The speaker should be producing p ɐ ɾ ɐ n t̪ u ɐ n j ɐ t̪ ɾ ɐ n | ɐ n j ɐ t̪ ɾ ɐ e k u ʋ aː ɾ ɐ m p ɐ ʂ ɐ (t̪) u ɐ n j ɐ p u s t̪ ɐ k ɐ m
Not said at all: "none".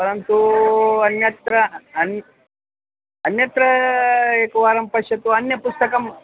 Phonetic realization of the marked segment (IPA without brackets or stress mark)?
t̪